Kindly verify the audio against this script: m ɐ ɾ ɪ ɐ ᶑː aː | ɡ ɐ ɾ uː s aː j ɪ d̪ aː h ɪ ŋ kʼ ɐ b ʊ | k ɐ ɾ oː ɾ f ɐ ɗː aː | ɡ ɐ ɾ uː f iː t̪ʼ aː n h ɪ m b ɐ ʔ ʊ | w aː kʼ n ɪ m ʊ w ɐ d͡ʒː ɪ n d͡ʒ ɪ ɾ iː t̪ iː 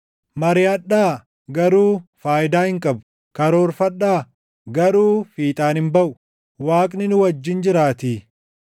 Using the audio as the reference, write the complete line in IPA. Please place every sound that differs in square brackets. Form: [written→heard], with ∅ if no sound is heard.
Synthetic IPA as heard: m ɐ ɾ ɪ ɐ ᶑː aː | ɡ ɐ ɾ uː [s→f] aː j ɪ d̪ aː h ɪ ŋ kʼ ɐ b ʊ | k ɐ ɾ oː ɾ f ɐ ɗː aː | ɡ ɐ ɾ uː f iː t̪ʼ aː n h ɪ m b ɐ ʔ ʊ | w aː kʼ n ɪ [m→n] ʊ w ɐ d͡ʒː ɪ n d͡ʒ ɪ ɾ [iː→aː] t̪ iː